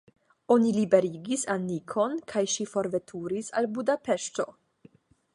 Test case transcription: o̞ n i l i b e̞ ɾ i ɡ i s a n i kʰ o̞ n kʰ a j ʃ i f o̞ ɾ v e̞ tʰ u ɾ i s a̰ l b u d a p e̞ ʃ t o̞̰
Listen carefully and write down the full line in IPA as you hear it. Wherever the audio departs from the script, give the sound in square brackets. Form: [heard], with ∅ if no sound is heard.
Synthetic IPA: o̞ n i l i b e̞ ɾ i ɡ i s a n i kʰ o̞ n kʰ a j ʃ i f o̞ ɾ v e̞ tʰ u ɾ i s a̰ l b u d a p e̞ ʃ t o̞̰

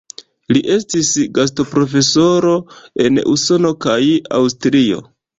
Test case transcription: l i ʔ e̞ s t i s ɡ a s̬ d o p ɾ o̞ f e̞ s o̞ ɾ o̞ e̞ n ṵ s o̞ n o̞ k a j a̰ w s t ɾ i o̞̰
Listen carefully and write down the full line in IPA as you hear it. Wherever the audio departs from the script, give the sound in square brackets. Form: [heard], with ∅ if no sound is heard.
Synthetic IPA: l i ʔ e̞ s t i s ɡ a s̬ [t] o p ɾ o̞ f e̞ s o̞ ɾ o̞ e̞ n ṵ s o̞ n o̞ k a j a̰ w s t ɾ i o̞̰

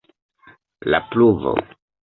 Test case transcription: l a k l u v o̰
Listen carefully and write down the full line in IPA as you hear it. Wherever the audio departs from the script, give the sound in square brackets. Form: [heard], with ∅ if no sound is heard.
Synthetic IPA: l a [p] l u v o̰

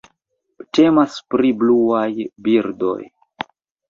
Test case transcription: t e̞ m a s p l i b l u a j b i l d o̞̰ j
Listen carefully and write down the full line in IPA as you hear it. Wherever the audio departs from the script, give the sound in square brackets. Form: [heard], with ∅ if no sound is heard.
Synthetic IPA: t e̞ m a s p [ɾ] i b l u a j b i [ɾ] d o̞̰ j

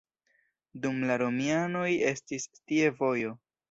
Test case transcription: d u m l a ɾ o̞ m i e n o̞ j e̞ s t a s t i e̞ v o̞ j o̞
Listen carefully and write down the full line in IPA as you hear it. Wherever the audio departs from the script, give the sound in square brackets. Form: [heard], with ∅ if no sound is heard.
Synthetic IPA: d u m l a ɾ o̞ m i [a] n o̞ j e̞ s t [i] s t i e̞ v o̞ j o̞

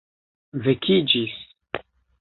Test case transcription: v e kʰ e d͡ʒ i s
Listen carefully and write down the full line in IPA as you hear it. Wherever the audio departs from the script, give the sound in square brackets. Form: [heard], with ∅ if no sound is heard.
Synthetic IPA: v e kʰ [i] d͡ʒ i s

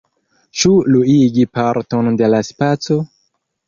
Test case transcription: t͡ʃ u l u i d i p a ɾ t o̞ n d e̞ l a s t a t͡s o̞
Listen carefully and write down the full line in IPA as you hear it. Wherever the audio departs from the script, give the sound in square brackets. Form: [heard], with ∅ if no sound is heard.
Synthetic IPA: t͡ʃ u l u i [ɡ] i p a ɾ t o̞ n d e̞ l a s [p] a t͡s o̞

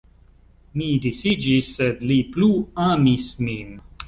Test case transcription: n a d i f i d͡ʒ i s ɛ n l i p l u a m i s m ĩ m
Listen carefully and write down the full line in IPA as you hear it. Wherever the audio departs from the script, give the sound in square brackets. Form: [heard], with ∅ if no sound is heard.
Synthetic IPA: n [i] d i [s] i d͡ʒ i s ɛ [d] l i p l u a m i s m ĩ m

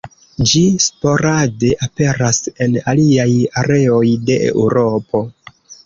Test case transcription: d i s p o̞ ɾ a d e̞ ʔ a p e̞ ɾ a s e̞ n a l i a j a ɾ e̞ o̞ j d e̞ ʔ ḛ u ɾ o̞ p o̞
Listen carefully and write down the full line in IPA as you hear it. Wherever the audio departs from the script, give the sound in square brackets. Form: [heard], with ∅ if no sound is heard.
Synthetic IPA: [d͡ʒ] i s p o̞ ɾ a d e̞ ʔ a p e̞ ɾ a s e̞ n a l i a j a ɾ e̞ o̞ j d e̞ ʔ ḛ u ɾ o̞ p o̞

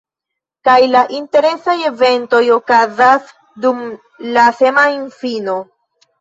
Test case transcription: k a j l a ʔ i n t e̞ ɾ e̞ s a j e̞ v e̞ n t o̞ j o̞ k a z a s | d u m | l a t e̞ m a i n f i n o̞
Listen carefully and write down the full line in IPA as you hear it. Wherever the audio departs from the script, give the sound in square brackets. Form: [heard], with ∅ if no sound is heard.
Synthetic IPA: k a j l a ʔ i n t e̞ ɾ e̞ s a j e̞ v e̞ n t o̞ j o̞ k a z a s | d u m | l a [s] e̞ m a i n f i n o̞

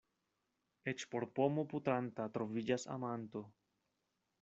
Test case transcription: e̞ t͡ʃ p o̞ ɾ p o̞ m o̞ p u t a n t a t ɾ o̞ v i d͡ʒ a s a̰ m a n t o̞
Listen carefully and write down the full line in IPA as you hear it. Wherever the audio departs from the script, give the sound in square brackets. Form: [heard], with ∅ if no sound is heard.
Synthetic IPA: e̞ t͡ʃ p o̞ ɾ p o̞ m o̞ p u t a n t a t ɾ o̞ v i d͡ʒ a s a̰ m a n t o̞

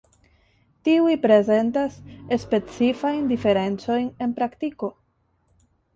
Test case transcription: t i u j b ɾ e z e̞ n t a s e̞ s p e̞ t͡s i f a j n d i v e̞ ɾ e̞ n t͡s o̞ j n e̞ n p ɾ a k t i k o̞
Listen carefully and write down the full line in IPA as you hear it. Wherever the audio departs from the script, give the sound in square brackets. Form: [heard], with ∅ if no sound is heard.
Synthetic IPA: t i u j [p] ɾ e z e̞ n t a s e̞ s p e̞ t͡s i f a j n d i [f] e̞ ɾ e̞ n t͡s o̞ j n e̞ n p ɾ a k t i k o̞

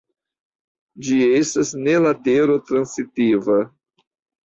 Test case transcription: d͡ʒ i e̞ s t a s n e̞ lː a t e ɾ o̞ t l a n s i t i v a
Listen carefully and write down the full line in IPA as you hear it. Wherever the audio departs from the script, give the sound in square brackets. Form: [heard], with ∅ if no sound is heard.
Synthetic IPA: d͡ʒ i e̞ s t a s n e̞ [l] a t e ɾ o̞ t [ɾ] a n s i t i v a

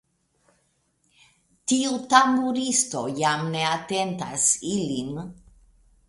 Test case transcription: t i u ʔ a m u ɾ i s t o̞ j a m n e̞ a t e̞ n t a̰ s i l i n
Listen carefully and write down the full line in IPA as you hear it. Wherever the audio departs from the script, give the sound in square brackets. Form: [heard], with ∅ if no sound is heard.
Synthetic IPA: t i u [t] a m u ɾ i s t o̞ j a m n e̞ a t e̞ n t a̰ s i l i n

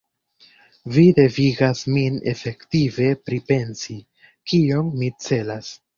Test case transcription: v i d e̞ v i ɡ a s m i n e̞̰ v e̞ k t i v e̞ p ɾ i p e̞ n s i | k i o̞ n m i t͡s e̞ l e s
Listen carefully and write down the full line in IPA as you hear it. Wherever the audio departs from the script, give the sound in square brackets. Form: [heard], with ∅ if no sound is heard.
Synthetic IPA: v i d e̞ v i ɡ a s m i n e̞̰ [f] e̞ k t i v e̞ p ɾ i p e̞ n s i | k i o̞ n m i t͡s e̞ l [a] s

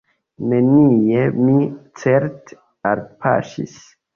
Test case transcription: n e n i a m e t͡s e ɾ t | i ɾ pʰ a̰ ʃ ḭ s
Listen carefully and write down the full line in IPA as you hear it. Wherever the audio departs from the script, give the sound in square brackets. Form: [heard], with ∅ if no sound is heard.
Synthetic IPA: n e n i [e] m [i] t͡s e ɾ t | [a] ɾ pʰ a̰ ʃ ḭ s

